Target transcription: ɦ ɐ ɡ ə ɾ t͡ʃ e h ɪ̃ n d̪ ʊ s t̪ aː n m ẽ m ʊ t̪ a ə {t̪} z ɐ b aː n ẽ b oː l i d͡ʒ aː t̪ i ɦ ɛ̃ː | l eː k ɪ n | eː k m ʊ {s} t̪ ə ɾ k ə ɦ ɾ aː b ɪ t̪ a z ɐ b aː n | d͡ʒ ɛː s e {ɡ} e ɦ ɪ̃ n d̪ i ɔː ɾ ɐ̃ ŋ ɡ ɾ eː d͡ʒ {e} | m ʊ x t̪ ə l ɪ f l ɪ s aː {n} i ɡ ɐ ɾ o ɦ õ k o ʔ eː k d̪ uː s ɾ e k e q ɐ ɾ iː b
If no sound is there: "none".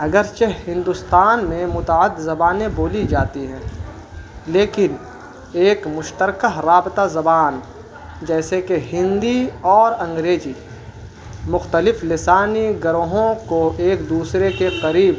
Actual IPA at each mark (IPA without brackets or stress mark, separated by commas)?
d̪, ʃ, k, i, n